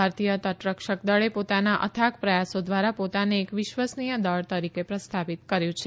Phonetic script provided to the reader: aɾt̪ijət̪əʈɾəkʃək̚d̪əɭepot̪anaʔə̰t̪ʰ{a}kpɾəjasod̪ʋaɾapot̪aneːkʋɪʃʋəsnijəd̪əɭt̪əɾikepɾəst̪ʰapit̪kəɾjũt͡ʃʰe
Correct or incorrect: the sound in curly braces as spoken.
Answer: correct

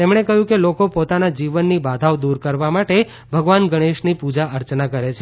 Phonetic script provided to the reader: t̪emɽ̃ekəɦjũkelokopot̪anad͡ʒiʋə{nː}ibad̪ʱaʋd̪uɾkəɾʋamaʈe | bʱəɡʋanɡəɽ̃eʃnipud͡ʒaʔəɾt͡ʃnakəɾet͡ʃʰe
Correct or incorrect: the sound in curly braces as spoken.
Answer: correct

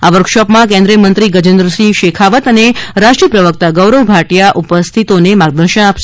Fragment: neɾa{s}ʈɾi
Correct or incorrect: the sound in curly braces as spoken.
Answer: incorrect: ʃ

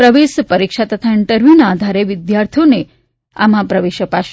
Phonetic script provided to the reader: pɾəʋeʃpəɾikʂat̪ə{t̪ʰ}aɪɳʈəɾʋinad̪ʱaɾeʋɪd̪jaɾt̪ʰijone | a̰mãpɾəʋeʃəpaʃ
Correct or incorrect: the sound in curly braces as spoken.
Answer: correct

